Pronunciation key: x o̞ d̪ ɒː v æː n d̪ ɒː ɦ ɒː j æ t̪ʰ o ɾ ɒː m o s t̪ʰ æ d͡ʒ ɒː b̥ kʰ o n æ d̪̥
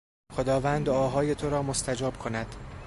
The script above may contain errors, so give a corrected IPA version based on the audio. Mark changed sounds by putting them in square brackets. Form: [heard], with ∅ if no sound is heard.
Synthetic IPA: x o̞ d̪ ɒː v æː n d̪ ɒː ɦ ɒː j [e] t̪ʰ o ɾ ɒː m o s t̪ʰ æ d͡ʒ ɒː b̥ kʰ o n æ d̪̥

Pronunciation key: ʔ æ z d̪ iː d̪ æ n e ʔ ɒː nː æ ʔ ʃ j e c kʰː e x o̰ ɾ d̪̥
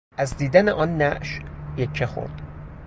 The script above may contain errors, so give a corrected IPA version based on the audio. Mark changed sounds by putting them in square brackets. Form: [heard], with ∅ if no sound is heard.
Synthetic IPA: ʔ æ z d̪ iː d̪ æ n e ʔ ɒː nː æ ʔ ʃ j e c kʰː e x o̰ ɾ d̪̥

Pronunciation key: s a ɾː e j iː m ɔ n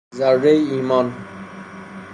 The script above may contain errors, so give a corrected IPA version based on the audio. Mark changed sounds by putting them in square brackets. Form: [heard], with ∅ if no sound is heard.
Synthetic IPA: [z] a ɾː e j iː m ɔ n

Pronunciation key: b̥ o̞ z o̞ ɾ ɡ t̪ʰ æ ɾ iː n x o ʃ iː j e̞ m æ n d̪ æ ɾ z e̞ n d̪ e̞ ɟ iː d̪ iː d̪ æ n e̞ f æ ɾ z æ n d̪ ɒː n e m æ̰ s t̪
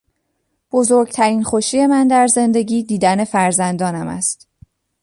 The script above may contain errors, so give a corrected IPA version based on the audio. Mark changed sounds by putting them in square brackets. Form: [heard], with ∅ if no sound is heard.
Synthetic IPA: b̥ o̞ z o̞ ɾ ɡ t̪ʰ æ ɾ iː n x o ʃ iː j e̞ m æ n d̪ æ ɾ z e̞ n d̪ e̞ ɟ iː d̪ iː d̪ æ n e̞ f æ ɾ z æ n d̪ ɒː n [æ] m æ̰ s t̪

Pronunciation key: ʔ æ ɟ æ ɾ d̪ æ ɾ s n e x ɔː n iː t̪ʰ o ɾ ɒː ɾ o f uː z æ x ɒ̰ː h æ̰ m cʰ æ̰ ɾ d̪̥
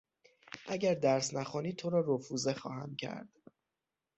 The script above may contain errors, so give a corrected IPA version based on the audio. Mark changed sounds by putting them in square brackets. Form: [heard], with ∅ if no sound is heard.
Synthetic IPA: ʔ æ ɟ æ ɾ d̪ æ ɾ s n [æ] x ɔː n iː t̪ʰ o ɾ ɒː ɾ o f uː z [e] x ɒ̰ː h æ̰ m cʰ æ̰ ɾ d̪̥

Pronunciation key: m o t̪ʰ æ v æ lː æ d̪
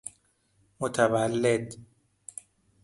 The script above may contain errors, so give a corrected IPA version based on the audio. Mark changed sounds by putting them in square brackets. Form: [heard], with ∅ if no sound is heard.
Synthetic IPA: m o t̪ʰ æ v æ lː [e] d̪

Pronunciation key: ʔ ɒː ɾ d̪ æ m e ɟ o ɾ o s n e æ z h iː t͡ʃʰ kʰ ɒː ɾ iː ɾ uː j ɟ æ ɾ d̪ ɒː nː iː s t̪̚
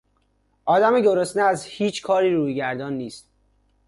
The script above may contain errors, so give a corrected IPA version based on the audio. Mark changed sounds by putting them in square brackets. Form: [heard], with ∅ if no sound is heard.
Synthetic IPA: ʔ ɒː [∅] d̪ æ m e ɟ o ɾ o s n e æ z h iː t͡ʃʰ kʰ ɒː ɾ iː ɾ uː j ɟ æ ɾ d̪ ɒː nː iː s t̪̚

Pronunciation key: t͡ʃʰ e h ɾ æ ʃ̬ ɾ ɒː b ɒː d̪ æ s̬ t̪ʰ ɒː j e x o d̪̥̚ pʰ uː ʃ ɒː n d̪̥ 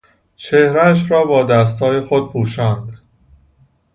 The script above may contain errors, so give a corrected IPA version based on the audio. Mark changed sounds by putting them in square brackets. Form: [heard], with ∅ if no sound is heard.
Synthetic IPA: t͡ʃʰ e h ɾ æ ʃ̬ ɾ ɒː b ɒː d̪ æ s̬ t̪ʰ ɒː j e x o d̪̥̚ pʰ uː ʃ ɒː n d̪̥

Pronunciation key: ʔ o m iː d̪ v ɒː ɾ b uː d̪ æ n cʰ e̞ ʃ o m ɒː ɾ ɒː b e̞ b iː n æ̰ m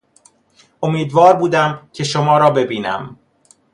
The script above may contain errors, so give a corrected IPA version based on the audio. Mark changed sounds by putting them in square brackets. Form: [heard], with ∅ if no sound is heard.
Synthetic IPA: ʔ o m iː d̪ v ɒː ɾ b uː d̪ æ [m] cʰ e̞ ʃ o m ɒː ɾ ɒː b e̞ b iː n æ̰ m

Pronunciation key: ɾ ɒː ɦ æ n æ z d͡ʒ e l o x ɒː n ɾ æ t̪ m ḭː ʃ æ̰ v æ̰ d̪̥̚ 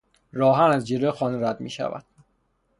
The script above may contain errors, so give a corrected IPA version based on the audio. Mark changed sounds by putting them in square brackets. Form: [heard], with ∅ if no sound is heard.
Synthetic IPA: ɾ ɒː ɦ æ n æ z d͡ʒ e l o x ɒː n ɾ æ [d̪] m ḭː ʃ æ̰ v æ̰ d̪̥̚

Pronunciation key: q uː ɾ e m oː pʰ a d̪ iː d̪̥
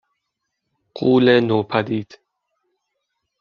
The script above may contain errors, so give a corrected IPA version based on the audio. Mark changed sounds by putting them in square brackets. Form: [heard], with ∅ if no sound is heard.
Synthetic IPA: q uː [l] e [n] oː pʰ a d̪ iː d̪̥

